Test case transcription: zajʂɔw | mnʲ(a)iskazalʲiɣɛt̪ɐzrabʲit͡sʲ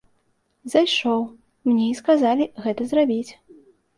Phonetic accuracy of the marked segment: incorrect: ɛ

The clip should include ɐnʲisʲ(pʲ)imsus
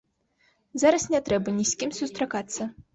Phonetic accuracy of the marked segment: incorrect: kʲ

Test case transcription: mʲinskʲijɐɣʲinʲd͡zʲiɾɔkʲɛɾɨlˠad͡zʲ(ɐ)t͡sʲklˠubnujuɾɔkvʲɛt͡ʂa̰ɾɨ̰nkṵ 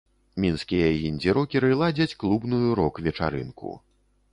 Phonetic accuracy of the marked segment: correct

